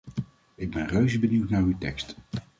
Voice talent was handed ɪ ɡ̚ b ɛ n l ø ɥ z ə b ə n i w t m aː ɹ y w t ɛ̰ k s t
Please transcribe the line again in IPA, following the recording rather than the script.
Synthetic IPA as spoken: ɪ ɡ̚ b ɛ n r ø ɥ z ə b ə n i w t n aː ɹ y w t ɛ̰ k s t